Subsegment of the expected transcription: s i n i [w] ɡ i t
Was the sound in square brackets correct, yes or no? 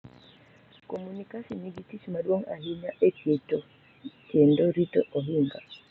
no